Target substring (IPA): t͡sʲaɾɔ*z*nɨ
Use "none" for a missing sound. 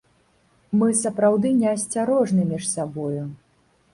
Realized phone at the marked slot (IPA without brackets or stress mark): ʐ